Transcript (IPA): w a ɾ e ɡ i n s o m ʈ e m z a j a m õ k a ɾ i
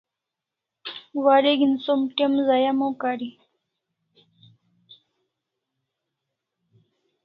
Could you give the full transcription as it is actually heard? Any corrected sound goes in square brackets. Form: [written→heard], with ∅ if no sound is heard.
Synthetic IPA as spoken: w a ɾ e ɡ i n s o m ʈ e m z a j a m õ k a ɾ i